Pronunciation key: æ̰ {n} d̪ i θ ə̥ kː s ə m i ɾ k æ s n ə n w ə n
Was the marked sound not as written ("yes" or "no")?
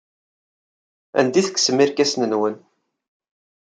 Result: no